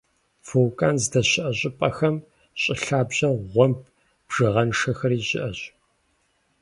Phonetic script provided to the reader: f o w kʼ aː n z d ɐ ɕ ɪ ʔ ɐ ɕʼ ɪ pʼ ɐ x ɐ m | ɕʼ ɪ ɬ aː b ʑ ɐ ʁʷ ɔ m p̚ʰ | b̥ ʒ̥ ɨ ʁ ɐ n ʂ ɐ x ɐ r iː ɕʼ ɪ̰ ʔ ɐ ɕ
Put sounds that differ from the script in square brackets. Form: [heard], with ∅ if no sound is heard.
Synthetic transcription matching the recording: f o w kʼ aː n z d ɐ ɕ ɪ ʔ ɐ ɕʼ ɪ pʼ ɐ x ɐ m | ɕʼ ɪ ɬ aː b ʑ ɐ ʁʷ ɔ m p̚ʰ | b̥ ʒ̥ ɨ ʁ ɐ n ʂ ɐ x ɐ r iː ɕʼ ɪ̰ ʔ ɐ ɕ